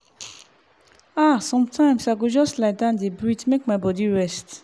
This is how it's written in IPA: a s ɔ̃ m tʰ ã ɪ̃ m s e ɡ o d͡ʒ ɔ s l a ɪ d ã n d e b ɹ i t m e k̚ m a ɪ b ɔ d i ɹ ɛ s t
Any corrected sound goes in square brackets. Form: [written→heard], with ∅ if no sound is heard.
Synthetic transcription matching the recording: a s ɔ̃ m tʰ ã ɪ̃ m s [e→a] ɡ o d͡ʒ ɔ s l a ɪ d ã n d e b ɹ i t m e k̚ m a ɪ b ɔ d i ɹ ɛ s t